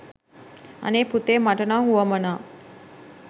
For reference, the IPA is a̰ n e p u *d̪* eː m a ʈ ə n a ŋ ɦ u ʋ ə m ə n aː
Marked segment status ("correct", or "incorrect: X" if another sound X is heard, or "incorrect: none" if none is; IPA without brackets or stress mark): incorrect: t̪